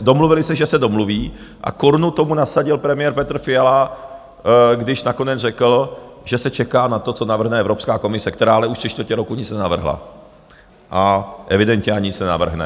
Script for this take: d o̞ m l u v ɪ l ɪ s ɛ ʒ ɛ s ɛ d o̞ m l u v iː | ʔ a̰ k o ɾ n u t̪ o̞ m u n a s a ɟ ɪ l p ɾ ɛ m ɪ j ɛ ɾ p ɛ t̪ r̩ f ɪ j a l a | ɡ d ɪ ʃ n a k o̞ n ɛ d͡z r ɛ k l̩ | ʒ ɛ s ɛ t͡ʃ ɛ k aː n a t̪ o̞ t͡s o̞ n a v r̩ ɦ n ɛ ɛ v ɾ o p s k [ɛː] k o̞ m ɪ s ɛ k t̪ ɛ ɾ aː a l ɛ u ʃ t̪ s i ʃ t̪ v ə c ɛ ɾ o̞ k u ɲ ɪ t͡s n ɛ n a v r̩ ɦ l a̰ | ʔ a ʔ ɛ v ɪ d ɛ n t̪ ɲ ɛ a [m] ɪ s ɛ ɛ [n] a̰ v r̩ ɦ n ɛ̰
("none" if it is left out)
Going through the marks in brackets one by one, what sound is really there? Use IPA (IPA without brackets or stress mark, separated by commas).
aː, ɲ, n